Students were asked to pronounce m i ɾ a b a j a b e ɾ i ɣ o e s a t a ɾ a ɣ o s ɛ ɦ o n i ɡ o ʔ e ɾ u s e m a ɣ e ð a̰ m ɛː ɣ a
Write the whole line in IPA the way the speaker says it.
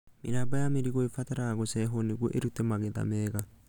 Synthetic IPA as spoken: m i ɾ a b a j a m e ɾ i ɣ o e f a t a ɾ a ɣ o s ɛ ɦ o n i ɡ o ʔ e ɾ u t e m a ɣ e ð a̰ m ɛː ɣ a